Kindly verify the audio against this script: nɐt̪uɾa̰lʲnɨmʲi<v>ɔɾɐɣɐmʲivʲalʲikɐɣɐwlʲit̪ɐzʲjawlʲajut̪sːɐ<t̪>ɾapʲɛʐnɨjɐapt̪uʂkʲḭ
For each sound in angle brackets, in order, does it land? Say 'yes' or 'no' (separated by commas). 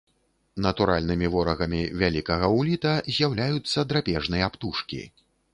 yes, no